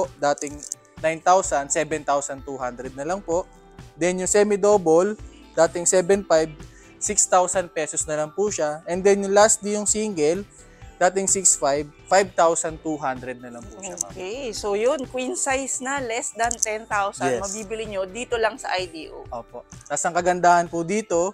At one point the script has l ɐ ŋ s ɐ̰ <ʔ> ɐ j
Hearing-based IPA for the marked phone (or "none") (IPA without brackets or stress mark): ʔ